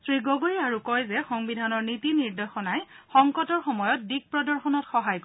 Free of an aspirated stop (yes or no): yes